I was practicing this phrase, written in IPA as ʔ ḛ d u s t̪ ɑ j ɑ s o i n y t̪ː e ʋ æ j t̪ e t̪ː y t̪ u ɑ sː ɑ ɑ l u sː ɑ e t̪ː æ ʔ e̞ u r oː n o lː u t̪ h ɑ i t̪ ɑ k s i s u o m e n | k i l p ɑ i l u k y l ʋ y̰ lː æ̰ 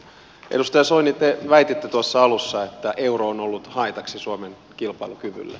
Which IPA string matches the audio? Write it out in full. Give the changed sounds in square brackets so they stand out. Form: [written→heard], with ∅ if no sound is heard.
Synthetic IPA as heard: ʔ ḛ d u s t̪ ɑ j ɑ s o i n [y→i] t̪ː e ʋ æ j t̪ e t̪ː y t̪ u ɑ sː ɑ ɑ l u sː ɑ e t̪ː æ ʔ e̞ u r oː n o lː u t̪ h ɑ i t̪ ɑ k s i s u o m e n | k i l p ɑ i l u k y [l→∅] ʋ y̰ lː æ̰